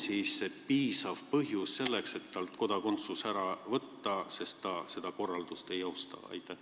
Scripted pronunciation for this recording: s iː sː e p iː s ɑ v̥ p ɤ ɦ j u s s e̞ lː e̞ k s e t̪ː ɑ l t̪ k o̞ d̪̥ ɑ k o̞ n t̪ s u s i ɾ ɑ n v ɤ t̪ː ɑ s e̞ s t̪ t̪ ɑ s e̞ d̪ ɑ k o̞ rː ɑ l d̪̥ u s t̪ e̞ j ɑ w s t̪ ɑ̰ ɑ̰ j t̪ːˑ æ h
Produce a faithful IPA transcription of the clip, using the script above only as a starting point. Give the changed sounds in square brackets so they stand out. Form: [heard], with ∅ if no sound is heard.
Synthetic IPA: s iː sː e p iː s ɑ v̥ p ɤ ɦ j u s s e̞ lː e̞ k s e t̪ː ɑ l t̪ k o̞ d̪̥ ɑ k o̞ n t̪ s u s [æ] ɾ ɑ [∅] v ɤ t̪ː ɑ s e̞ s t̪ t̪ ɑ s e̞ d̪ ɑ k o̞ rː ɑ l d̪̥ u s t̪ e̞ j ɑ w s t̪ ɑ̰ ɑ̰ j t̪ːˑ æ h